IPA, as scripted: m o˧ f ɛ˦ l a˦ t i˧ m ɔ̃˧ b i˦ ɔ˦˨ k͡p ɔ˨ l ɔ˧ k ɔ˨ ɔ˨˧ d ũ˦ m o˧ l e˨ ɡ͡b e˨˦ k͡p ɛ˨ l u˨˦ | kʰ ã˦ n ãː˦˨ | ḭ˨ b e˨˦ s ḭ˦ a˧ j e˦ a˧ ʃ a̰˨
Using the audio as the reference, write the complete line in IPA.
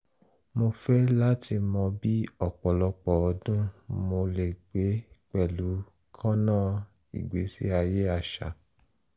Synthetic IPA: m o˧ f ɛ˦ l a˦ t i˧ m ɔ̃˧ b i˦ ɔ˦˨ k͡p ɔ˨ l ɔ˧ k͡p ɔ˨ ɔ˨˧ d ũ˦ m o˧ l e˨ ɡ͡b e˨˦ k͡p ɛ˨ l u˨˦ | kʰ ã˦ n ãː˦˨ | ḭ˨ ɡ͡b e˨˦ s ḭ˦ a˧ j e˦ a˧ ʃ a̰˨